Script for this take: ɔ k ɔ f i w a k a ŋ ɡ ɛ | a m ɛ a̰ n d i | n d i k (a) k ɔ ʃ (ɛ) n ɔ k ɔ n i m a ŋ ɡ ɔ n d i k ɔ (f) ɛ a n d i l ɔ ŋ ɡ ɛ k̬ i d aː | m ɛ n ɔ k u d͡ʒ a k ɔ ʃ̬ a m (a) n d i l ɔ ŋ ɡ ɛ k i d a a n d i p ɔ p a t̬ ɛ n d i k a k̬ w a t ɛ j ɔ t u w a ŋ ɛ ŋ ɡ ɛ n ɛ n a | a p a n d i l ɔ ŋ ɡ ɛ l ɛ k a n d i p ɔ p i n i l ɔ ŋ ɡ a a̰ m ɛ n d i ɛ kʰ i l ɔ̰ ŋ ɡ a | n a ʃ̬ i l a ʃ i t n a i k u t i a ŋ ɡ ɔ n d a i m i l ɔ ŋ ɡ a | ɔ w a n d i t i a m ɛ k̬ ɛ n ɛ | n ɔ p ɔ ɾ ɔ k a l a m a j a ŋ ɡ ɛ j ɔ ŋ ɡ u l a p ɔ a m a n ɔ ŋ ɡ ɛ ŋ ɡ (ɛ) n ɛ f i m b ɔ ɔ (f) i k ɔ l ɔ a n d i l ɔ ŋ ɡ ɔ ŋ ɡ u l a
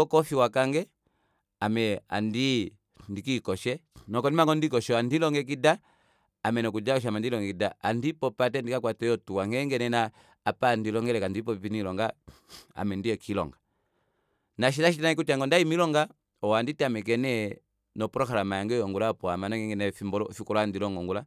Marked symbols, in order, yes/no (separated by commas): no, yes, no, yes, yes, yes